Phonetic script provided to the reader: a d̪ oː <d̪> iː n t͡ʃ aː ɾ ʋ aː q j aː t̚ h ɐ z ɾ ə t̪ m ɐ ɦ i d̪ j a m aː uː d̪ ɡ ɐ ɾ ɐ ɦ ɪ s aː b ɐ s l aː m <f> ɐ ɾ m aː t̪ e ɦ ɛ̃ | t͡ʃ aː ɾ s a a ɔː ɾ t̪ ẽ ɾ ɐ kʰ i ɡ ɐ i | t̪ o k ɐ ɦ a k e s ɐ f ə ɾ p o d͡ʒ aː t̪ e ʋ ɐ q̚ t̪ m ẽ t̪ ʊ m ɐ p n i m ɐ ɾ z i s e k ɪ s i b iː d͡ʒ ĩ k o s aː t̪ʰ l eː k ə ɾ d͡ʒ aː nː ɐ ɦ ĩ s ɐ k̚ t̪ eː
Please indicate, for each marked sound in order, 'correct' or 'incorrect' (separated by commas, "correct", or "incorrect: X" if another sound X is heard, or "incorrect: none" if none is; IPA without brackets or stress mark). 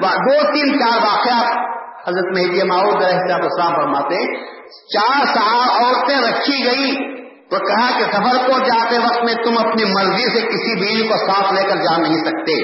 incorrect: t̪, correct